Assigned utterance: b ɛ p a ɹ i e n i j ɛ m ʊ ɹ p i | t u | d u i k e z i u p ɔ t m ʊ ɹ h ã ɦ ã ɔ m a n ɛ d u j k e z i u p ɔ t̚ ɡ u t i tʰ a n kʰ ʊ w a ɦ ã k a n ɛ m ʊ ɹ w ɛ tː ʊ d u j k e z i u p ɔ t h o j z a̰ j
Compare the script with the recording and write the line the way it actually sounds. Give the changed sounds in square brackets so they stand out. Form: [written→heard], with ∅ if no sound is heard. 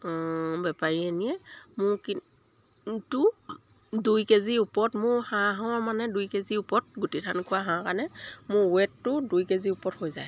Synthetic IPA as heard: b ɛ p a ɹ i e n i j ɛ m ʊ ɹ [p→k] i | t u | d u [i→j] k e z i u p ɔ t m ʊ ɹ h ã ɦ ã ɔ m a n ɛ d u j k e z i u p ɔ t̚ ɡ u t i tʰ a n kʰ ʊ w a ɦ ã k a n ɛ m ʊ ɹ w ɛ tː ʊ d u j k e z i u p ɔ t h o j z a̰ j